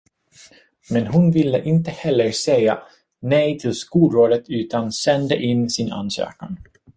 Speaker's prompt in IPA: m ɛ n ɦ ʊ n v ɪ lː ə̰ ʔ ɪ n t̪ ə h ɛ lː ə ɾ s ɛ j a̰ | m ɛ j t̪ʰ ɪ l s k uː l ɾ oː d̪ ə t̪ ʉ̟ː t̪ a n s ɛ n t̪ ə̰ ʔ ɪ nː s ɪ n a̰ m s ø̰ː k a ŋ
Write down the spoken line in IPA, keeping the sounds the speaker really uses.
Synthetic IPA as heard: m ɛ n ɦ ʊ n v ɪ lː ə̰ ʔ ɪ n t̪ ə h ɛ lː ə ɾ s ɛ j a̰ | n ɛ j t̪ʰ ɪ l s k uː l ɾ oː d̪ ə t̪ ʉ̟ː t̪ a n s ɛ n d̪ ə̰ ʔ ɪ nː s ɪ n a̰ n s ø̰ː k a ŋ